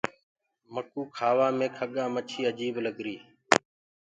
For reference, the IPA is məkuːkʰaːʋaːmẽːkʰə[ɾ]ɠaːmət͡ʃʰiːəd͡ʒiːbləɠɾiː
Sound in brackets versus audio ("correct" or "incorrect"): incorrect